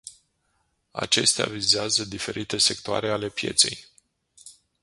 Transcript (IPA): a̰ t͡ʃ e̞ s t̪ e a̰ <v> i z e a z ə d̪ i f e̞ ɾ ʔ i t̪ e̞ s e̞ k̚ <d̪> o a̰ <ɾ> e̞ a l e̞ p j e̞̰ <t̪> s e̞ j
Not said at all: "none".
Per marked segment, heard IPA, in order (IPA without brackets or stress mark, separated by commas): v, t̪, ɾ, t̪